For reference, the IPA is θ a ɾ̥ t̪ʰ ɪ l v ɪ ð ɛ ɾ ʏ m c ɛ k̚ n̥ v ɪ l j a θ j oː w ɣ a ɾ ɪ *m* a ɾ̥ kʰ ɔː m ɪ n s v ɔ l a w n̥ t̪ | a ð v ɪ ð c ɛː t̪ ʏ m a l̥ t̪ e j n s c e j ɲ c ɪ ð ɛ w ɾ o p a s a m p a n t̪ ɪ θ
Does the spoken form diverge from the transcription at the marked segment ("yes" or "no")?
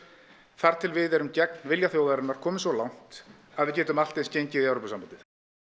yes